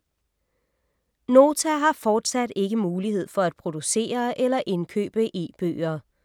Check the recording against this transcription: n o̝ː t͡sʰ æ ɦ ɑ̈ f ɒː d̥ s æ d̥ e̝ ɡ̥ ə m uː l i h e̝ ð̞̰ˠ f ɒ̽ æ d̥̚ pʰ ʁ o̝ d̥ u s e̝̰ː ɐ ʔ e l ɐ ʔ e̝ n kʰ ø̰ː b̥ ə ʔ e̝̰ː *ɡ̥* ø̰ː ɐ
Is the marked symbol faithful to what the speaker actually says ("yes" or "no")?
no